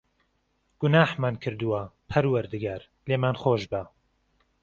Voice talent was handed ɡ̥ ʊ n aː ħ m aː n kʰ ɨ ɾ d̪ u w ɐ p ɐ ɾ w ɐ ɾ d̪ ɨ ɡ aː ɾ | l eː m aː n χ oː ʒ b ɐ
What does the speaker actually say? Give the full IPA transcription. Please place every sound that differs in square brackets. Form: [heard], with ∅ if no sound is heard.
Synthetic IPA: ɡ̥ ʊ n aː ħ m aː n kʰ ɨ ɾ d̪ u w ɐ [pʰ] ɐ ɾ w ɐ ɾ d̪ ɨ ɡ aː ɾ | l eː m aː n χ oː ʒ b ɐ